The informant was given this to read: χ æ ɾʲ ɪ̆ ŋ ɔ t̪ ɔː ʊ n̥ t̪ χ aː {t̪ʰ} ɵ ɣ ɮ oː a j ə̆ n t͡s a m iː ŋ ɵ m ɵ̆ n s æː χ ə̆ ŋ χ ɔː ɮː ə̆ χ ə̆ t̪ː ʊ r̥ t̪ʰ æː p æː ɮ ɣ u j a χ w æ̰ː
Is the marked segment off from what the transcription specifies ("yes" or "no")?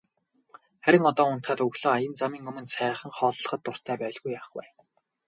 yes